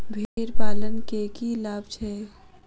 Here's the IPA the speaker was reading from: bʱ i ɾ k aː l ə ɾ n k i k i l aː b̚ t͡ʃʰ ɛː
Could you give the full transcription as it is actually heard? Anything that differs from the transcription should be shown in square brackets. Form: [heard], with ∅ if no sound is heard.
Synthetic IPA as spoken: bʱ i ɾ [p] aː l ə [∅] n k [e] k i l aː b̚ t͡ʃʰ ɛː